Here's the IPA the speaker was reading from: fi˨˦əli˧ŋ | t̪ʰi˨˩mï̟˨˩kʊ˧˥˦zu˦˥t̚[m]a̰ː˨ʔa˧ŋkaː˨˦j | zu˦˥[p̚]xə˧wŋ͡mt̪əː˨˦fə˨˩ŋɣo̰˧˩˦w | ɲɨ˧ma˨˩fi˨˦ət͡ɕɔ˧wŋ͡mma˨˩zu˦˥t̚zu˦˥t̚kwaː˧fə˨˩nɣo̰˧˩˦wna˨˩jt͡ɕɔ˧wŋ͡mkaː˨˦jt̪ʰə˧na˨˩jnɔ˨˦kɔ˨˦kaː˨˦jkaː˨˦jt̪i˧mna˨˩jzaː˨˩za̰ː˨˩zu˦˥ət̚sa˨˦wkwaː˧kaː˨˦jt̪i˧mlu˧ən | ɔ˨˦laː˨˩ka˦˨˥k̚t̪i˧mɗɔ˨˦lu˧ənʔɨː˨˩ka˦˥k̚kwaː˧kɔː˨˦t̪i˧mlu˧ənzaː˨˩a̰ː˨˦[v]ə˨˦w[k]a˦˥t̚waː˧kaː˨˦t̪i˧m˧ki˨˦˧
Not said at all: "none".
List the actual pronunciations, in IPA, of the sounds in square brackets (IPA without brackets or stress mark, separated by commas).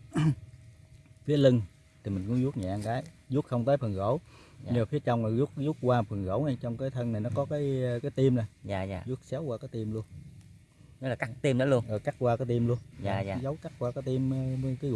ɲ, t̚, z, k